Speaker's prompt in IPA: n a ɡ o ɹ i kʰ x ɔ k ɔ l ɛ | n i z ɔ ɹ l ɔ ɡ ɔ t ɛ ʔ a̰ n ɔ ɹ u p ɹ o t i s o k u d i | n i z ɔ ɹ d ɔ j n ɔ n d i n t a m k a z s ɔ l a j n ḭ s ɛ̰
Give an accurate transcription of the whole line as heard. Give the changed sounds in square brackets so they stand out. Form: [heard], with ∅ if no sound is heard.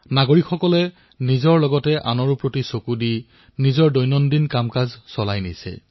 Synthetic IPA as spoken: n a ɡ o ɹ i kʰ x ɔ k ɔ l ɛ | n i z ɔ ɹ l ɔ ɡ ɔ t ɛ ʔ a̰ n ɔ ɹ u p ɹ o t i s o k u d i | n i z ɔ ɹ d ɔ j n ɔ n d i n [k] a m k a z s ɔ l a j n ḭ s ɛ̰